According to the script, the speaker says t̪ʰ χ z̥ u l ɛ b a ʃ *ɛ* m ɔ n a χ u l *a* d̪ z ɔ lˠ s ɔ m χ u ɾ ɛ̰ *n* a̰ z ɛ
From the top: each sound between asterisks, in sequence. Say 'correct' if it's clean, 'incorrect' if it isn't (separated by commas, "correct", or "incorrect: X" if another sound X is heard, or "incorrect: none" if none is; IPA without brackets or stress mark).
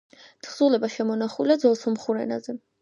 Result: correct, correct, correct